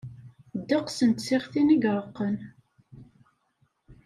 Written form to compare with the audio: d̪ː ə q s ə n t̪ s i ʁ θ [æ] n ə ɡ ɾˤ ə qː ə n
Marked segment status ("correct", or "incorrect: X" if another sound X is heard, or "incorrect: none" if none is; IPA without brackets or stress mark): incorrect: i